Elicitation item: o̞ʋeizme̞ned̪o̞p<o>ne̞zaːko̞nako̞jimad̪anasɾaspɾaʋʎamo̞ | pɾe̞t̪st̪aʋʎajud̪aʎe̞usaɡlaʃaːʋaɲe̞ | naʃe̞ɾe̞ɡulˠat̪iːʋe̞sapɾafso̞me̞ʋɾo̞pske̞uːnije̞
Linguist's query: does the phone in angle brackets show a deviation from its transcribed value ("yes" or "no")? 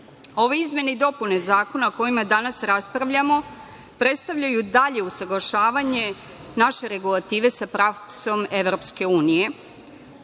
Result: yes